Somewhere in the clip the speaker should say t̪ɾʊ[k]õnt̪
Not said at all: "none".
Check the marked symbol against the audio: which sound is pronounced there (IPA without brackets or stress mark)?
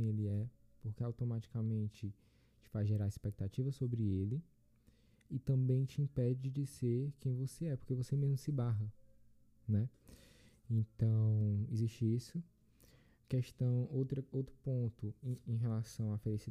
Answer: p